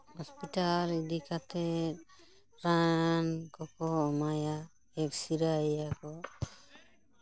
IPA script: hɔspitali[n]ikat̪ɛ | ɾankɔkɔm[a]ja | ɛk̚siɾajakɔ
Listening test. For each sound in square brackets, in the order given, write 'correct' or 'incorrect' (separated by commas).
incorrect, correct